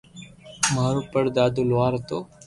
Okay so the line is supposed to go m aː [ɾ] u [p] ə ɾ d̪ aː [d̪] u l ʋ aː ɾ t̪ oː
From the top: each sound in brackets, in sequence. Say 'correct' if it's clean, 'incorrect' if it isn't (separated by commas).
correct, correct, correct